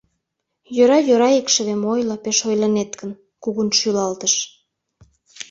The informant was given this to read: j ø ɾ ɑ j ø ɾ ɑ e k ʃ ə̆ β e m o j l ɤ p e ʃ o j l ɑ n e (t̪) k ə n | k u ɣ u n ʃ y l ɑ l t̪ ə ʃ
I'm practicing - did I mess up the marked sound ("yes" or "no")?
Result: no